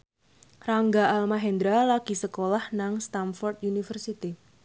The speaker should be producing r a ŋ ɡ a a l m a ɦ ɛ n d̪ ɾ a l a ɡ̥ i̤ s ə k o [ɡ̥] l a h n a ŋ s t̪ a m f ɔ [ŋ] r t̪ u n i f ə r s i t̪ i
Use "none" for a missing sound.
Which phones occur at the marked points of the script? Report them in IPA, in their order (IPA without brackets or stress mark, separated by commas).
none, none